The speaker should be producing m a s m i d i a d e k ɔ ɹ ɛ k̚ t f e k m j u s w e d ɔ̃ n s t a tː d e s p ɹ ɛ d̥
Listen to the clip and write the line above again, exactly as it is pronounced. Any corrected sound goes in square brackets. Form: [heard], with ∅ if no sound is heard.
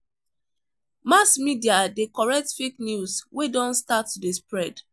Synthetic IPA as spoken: m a s m i d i a d e k ɔ ɹ ɛ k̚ t f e k [n] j u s w e d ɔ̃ n s t a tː d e s p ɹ ɛ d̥